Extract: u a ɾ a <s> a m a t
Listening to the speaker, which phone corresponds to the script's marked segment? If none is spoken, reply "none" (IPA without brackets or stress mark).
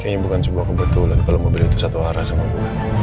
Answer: s